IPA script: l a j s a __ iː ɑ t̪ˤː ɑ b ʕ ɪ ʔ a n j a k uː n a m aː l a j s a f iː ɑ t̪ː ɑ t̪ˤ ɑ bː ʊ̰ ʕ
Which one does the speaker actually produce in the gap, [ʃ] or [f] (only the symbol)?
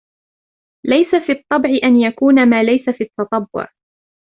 f